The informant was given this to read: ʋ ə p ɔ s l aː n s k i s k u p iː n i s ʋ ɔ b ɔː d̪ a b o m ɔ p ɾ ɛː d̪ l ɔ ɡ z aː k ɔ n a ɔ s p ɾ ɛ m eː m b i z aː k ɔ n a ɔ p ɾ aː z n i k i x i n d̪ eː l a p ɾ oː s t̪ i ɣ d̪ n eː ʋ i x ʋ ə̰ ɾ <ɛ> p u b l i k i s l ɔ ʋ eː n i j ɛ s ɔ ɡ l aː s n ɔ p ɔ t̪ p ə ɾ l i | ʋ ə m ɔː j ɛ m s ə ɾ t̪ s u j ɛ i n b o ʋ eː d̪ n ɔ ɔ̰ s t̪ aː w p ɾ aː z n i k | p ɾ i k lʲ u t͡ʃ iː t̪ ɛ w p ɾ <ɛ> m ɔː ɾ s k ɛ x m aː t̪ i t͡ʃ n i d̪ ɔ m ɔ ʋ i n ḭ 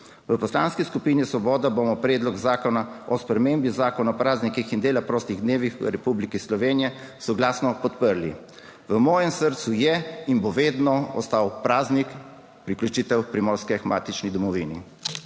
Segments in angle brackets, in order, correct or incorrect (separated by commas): correct, incorrect